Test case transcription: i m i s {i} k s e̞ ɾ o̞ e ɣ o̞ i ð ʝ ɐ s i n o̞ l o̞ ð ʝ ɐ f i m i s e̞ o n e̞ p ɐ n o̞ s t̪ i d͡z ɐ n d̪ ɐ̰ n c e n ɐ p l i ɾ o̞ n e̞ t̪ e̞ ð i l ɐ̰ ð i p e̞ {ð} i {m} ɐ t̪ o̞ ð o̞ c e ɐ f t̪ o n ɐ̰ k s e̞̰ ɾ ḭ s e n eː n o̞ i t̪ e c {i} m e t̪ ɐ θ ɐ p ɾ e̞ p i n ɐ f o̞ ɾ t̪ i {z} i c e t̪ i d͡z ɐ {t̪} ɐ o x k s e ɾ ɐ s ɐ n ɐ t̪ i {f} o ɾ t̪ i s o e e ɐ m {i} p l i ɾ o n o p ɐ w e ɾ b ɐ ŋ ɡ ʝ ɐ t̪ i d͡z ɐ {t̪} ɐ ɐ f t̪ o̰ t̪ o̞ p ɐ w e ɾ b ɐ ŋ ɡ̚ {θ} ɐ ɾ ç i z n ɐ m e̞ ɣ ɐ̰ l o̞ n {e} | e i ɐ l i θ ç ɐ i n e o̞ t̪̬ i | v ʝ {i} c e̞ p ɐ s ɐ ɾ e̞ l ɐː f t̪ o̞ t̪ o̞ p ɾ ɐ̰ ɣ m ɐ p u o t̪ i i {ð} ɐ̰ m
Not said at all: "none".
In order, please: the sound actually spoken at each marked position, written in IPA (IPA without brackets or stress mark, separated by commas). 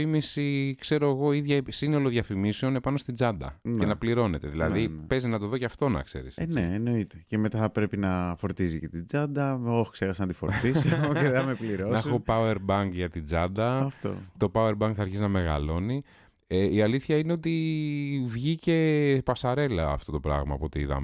i, z, n, e, z, d̪, f, e, d̪, θ, i, i, ð